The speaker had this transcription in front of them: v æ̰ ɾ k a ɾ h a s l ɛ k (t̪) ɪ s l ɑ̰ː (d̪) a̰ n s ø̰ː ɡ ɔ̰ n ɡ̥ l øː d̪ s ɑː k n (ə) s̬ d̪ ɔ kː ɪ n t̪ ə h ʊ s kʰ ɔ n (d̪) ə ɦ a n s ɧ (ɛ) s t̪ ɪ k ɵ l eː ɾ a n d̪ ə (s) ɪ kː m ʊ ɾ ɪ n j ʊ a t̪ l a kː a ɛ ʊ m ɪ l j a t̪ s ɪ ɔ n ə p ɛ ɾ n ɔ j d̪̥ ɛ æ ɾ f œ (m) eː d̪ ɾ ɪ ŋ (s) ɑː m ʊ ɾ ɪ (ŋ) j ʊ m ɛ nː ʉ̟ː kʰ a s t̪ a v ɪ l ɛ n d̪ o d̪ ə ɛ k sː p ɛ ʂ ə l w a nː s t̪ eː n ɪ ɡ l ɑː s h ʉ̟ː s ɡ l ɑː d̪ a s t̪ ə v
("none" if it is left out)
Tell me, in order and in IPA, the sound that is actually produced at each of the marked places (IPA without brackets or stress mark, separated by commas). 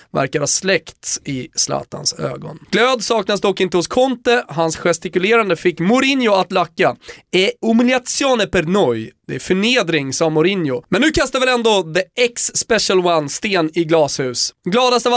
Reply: t̪, t̪, a, t̪, ɛ, f, ɳ, s, n